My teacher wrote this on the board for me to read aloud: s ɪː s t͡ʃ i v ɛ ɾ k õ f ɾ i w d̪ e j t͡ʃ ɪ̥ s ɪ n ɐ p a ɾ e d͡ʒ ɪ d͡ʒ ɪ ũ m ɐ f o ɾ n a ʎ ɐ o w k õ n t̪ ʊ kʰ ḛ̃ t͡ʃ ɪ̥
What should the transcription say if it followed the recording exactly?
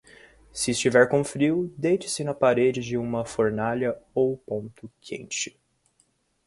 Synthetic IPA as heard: s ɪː s t͡ʃ i v ɛ ɾ k õ f ɾ i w d̪ e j t͡ʃ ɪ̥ s ɪ n ɐ p a ɾ e d͡ʒ ɪ d͡ʒ ɪ ũ m ɐ f o ɾ n a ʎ ɐ o w p õ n t̪ ʊ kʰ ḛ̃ t͡ʃ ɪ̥